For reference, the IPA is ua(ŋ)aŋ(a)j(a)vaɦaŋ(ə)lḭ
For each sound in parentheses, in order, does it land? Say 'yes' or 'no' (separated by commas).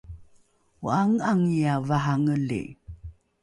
yes, no, yes, yes